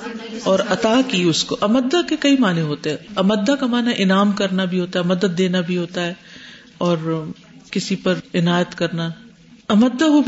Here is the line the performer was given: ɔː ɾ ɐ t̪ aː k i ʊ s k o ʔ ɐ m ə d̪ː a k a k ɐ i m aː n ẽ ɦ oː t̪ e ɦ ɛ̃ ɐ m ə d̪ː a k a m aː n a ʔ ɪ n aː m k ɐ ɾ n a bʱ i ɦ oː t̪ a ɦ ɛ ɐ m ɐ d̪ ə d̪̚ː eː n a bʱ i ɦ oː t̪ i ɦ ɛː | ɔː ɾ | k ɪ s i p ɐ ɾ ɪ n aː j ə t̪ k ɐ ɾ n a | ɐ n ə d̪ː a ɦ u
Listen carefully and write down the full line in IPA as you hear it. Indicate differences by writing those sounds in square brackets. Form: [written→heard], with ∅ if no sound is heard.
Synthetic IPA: ɔː ɾ ɐ t̪ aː k i ʊ s k o ʔ ɐ m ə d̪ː a k [a→e] k ɐ i m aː n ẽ ɦ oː t̪ e ɦ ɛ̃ ɐ m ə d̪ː a k a m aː n a ʔ ɪ n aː m k ɐ ɾ n a bʱ i ɦ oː t̪ a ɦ ɛ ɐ m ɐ d̪ ə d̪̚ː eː n a bʱ i ɦ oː t̪ [i→a] ɦ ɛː | ɔː ɾ | k ɪ s i p ɐ ɾ ɪ n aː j ə t̪ k ɐ ɾ n a | ɐ [n→m] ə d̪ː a ɦ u